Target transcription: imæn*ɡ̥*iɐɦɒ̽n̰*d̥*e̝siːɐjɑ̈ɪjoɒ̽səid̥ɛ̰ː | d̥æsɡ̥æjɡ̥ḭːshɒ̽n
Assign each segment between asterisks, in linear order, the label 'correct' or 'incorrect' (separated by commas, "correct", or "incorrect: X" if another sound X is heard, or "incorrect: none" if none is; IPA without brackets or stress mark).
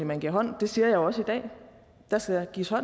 correct, correct